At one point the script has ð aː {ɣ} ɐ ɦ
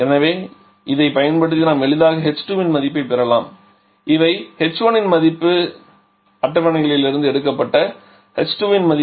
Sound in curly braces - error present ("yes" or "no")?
no